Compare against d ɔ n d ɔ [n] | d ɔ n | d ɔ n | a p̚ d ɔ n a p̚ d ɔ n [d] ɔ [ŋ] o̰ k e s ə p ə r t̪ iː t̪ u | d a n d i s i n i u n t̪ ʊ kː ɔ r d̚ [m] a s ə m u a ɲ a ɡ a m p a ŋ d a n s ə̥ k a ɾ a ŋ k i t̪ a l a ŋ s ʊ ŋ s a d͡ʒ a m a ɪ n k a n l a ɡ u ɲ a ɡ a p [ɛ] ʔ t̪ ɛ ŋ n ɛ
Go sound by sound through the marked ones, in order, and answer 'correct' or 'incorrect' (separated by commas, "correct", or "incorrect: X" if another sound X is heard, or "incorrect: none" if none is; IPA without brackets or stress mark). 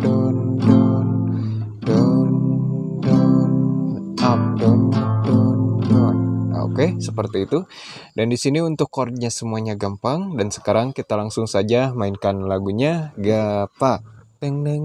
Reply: correct, correct, incorrect: n, incorrect: ɲ, incorrect: a